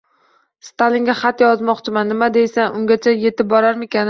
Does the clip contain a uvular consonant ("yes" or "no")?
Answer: yes